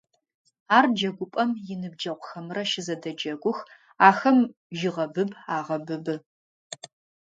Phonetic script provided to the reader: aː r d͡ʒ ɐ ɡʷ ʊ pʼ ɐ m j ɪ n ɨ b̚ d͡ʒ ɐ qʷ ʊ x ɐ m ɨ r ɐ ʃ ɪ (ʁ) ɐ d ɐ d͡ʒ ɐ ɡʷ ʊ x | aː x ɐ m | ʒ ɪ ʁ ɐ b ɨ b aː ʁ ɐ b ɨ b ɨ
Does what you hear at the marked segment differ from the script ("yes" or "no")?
yes